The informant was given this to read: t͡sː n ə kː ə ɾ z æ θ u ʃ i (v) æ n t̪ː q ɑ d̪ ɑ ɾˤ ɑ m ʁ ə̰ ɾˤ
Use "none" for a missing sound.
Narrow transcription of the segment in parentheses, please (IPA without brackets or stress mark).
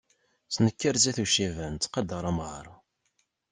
v